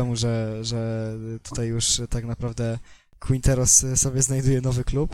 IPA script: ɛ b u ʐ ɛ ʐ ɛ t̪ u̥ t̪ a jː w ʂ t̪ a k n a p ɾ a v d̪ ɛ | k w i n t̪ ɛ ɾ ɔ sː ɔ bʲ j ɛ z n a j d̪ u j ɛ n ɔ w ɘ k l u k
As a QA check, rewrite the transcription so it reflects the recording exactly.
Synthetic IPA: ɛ m u ʐ ɛ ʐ ɛ t̪ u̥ t̪ a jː u ʂ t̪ a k n a p ɾ a v d̪ ɛ | k w i n t̪ ɛ ɾ ɔ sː ɔ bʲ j ɛ z n a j d̪ u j ɛ n ɔ v ɘ k l u p